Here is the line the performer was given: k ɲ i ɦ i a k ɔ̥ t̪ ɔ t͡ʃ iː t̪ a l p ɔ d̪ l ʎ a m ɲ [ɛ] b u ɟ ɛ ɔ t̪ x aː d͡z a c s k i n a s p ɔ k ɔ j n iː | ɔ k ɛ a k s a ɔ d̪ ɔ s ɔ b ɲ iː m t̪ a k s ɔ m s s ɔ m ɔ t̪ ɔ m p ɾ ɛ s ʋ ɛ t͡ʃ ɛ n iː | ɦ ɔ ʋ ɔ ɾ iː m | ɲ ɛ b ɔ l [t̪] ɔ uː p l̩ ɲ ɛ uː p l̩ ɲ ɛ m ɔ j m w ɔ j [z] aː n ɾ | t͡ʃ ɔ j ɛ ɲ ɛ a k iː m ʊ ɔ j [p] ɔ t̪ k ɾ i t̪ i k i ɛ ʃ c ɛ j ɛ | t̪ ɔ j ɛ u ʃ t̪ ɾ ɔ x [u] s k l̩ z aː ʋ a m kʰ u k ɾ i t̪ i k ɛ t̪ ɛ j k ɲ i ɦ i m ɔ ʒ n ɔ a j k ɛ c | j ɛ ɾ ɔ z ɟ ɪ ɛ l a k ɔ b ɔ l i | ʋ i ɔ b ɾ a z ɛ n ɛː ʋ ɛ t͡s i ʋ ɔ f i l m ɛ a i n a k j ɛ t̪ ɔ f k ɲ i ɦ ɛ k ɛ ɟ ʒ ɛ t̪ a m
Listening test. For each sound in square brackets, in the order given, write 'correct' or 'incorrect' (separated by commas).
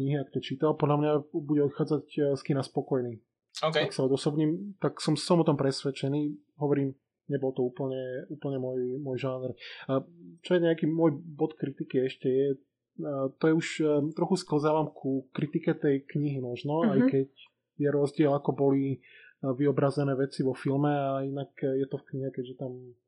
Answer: incorrect, correct, incorrect, incorrect, correct